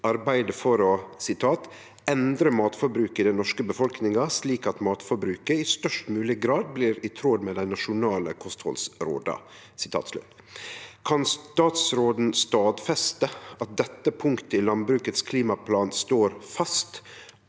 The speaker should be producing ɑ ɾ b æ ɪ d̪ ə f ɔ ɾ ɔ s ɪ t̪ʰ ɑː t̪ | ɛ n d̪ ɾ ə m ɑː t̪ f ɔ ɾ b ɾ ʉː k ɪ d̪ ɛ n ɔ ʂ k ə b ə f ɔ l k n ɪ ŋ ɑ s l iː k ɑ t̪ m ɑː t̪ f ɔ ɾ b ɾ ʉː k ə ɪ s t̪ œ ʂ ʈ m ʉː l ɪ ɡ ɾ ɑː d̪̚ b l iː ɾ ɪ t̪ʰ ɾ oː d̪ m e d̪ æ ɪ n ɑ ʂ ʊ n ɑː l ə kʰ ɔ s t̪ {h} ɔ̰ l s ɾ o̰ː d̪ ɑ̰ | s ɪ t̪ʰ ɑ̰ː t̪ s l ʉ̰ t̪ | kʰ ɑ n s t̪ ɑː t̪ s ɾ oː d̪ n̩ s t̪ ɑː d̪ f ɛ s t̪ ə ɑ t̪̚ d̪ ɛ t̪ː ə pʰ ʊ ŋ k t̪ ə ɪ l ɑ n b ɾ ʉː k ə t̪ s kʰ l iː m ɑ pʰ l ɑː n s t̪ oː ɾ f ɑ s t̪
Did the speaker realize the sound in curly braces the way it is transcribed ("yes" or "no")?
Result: yes